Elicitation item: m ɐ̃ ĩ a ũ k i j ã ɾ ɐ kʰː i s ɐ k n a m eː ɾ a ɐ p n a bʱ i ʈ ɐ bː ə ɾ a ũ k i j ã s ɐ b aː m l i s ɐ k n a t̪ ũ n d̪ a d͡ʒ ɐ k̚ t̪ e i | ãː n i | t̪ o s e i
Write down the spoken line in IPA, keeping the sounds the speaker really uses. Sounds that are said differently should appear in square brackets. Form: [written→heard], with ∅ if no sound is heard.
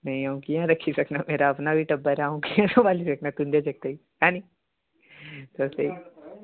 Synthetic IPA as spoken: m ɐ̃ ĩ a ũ k i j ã ɾ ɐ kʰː i s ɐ k n a m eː ɾ a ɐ p n a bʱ i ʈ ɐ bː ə ɾ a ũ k i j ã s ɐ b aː [m→∅] l i s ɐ k n a t̪ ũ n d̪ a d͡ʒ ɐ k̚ t̪ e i | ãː n i | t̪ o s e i